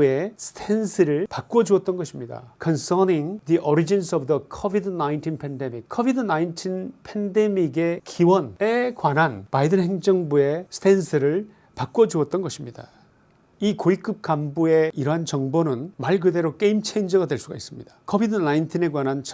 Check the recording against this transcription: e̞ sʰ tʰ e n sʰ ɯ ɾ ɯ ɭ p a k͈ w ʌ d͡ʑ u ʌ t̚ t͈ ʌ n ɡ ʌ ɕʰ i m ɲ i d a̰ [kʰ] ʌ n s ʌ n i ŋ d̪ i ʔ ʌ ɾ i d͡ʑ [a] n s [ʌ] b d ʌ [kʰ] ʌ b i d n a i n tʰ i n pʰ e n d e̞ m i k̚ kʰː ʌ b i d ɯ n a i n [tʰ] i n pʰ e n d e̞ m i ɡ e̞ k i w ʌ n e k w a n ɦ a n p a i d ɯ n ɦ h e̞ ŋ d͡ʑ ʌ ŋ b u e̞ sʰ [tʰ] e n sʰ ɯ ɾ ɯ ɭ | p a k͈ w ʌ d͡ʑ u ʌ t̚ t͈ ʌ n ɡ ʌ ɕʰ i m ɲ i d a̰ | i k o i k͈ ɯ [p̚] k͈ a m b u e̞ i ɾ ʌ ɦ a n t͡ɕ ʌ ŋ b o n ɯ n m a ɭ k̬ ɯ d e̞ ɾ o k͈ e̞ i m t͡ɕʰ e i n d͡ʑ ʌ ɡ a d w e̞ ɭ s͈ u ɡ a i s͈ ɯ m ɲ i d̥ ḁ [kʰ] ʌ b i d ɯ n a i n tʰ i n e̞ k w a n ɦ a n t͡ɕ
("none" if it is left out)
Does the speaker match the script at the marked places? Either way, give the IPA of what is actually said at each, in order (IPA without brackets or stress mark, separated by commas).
kʰ, i, ʌ, kʰ, tʰ, tʰ, p̚, kʰ